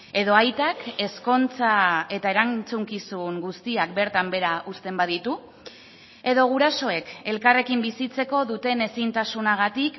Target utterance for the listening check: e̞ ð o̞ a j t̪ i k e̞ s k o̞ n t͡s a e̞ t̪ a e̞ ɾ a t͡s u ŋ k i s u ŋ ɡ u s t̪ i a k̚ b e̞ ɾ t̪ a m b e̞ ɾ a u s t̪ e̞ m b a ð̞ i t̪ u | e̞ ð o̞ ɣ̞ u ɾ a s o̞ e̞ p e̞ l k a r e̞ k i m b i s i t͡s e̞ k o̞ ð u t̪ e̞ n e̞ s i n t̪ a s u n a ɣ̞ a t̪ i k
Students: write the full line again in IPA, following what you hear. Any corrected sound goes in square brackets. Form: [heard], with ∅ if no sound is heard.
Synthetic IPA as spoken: e̞ ð o̞ a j t̪ [a] k e̞ s k o̞ n t͡s a e̞ t̪ a e̞ ɾ a t͡s u ŋ k i s u ŋ ɡ u s t̪ i a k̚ b e̞ ɾ t̪ a m b e̞ ɾ a u s t̪ e̞ m b a ð̞ i t̪ u | e̞ ð o̞ ɣ̞ u ɾ a s o̞ e̞ [k] e̞ l k a r e̞ k i m b i s i t͡s e̞ k o̞ ð u t̪ e̞ n e̞ s i n t̪ a s u n a ɣ̞ a t̪ i k